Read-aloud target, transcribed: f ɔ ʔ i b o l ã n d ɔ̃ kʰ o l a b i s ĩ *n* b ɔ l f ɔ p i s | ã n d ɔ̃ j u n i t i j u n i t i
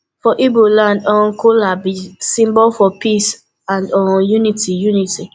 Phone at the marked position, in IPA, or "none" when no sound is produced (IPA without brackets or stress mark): m